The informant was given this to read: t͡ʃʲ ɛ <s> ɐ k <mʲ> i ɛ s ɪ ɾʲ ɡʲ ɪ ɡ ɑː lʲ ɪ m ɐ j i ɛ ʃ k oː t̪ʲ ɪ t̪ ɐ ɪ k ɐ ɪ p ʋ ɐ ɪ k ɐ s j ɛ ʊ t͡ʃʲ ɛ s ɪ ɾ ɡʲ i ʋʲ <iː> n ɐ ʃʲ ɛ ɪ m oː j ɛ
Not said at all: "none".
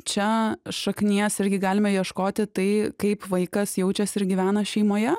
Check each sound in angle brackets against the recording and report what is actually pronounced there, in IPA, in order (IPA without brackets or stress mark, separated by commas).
ʃ, nʲ, æː